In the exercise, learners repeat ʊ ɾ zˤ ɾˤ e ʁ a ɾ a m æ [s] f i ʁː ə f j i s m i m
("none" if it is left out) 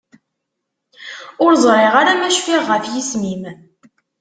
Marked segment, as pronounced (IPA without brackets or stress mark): ʃ